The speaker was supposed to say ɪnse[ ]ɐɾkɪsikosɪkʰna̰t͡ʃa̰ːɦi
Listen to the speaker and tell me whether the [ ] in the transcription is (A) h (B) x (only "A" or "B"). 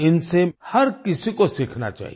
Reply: A